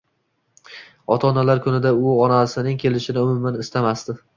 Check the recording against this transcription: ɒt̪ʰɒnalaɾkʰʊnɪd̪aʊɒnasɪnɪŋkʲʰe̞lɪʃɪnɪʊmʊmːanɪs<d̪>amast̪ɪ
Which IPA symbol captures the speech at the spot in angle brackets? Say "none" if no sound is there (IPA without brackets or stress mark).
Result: t̪